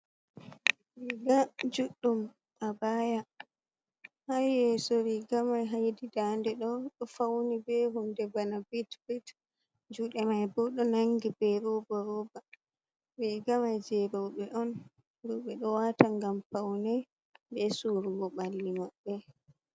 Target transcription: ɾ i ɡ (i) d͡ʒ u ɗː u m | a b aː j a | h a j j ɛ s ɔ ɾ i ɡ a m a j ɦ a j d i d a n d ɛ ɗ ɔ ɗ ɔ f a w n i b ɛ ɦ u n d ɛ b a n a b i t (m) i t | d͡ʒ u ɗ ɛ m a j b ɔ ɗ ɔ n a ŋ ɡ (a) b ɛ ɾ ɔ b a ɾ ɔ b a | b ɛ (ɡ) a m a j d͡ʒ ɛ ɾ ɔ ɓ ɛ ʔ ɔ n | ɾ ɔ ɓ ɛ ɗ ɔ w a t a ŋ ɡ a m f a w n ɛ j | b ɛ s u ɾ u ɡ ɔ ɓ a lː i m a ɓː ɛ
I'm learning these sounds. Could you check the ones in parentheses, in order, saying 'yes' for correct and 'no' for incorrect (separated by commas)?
no, no, no, yes